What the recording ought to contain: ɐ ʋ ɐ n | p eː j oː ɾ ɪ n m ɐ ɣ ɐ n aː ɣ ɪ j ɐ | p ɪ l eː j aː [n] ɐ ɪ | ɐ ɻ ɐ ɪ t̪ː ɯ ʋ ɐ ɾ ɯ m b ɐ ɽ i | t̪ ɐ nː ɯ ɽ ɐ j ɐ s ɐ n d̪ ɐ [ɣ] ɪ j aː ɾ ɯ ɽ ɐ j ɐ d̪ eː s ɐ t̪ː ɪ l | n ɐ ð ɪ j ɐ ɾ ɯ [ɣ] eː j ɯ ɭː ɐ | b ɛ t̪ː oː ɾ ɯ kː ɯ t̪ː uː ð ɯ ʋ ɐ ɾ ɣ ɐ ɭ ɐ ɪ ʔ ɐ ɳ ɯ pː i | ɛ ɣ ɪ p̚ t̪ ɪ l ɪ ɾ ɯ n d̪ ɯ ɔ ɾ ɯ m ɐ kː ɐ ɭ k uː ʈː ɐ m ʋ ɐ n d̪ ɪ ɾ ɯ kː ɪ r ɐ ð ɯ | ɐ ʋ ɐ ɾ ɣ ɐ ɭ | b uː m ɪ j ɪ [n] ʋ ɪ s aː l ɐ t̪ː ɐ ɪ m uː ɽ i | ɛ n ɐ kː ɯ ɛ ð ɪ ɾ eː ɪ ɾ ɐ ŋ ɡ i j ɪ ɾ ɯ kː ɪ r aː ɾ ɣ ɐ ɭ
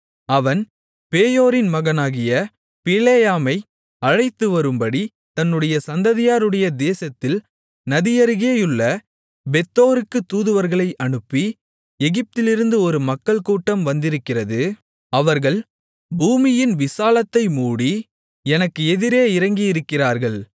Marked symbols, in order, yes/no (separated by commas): no, no, yes, yes